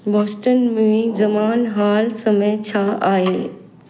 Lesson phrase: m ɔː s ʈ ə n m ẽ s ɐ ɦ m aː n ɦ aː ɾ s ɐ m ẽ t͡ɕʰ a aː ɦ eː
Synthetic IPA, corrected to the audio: b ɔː s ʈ ə n m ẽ z ɐ m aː n ɦ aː l s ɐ m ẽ t͡ɕʰ a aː ɦ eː